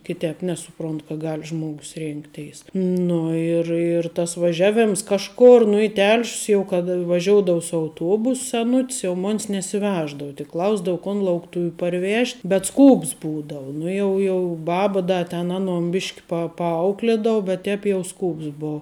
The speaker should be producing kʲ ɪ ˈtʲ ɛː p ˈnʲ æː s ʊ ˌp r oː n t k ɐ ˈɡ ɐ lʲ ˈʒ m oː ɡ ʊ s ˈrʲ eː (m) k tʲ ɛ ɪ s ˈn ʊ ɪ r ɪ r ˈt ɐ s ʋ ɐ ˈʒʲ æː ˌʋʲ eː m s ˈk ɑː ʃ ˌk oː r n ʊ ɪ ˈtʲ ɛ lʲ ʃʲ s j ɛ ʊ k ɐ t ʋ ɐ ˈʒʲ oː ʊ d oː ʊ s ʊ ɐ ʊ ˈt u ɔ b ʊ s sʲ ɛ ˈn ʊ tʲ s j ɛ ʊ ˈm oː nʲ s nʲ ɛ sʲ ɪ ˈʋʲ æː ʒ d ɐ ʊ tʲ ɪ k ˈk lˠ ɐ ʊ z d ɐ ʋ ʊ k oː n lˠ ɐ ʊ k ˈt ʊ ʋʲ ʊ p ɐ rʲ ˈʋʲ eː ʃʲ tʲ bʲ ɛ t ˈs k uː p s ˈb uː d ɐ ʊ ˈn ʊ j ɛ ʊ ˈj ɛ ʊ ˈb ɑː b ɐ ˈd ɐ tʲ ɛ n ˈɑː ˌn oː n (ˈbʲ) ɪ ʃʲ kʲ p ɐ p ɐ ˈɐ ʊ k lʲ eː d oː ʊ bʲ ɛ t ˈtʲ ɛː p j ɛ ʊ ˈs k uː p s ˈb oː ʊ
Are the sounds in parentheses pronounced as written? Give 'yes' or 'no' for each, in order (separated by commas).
no, yes